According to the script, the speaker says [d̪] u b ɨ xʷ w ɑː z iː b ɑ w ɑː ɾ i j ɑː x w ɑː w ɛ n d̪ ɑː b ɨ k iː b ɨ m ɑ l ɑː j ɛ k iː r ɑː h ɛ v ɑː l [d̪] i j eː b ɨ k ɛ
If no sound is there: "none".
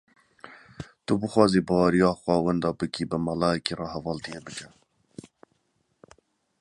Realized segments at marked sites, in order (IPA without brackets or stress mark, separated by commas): t̪, t̪